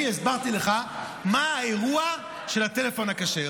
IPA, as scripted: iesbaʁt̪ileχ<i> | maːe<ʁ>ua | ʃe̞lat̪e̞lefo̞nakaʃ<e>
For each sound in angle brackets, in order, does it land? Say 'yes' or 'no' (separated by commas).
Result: no, yes, yes